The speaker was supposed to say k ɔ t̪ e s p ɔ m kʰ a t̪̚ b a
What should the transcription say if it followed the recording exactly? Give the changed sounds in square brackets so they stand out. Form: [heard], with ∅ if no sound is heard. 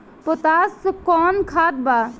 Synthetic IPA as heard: [p] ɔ t̪ [a] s [k] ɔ [n] kʰ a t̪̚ b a